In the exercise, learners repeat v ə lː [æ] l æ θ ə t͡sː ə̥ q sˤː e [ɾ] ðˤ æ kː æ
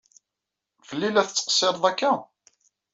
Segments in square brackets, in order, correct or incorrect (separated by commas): incorrect, correct